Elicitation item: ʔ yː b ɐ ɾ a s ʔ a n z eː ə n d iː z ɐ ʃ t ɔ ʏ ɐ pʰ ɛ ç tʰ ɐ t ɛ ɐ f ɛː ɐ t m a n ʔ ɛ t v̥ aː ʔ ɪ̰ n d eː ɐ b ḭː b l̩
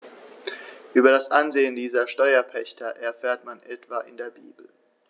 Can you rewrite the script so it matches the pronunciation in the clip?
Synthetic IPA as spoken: ʔ yː b ɐ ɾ a s ʔ a n z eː ə n d iː z ɐ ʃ t ɔ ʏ ɐ pʰ ɛ ç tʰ ɐ ʔ ɛ ɐ f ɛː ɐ t m a n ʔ ɛ t v̥ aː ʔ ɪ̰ n d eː ɐ b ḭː b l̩